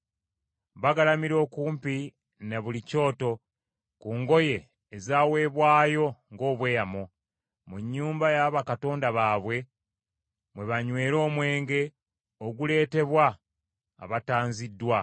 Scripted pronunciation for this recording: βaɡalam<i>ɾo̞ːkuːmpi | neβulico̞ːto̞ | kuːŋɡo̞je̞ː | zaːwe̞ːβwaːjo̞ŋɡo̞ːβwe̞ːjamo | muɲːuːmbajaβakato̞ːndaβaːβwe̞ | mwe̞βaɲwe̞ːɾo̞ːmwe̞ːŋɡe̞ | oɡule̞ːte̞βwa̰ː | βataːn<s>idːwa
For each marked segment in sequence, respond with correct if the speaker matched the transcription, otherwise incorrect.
correct, incorrect

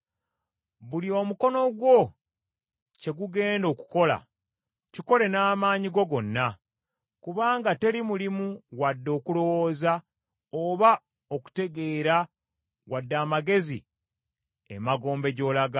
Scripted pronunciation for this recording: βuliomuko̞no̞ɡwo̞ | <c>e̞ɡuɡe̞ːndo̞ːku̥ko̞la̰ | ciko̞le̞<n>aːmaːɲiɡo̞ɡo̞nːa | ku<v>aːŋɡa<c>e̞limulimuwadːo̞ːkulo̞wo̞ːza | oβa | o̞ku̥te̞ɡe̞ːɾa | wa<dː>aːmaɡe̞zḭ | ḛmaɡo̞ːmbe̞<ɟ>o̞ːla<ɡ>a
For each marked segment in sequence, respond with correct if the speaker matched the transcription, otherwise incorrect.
correct, correct, incorrect, incorrect, correct, correct, correct

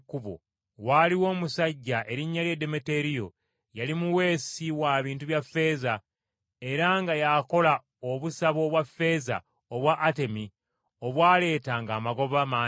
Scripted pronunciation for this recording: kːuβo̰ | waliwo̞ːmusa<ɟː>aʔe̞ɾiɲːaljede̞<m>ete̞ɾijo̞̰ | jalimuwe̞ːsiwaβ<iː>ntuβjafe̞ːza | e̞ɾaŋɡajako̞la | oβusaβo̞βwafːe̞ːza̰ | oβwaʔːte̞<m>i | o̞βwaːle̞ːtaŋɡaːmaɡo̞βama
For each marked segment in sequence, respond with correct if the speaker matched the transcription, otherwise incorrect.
correct, correct, correct, correct

